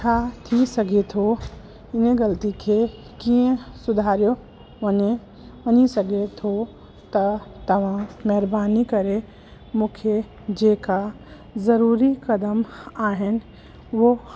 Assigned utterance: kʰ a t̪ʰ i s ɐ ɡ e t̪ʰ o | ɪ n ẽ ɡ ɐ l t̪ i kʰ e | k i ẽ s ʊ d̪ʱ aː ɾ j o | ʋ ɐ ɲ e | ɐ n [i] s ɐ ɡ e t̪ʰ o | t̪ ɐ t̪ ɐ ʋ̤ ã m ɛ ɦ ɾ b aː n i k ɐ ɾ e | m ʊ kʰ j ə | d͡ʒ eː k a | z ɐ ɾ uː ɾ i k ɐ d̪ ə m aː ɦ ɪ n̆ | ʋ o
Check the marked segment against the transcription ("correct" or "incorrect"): correct